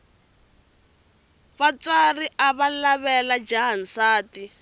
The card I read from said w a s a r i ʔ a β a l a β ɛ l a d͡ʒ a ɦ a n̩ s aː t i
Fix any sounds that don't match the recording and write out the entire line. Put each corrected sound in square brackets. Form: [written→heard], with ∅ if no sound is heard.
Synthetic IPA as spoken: [w→β] a [s→t͡s] a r i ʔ a β a l a β ɛ l a d͡ʒ a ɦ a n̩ s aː t i